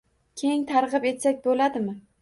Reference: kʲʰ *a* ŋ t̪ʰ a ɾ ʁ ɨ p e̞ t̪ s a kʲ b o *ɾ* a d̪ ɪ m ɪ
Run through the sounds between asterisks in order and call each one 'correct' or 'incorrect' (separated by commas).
incorrect, incorrect